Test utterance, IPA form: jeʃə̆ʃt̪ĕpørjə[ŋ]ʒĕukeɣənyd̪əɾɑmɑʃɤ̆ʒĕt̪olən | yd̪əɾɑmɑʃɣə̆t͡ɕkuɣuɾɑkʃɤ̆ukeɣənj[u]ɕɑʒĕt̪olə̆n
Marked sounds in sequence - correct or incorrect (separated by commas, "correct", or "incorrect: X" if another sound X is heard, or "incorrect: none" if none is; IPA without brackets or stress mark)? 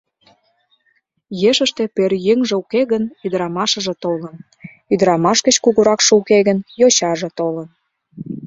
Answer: correct, incorrect: o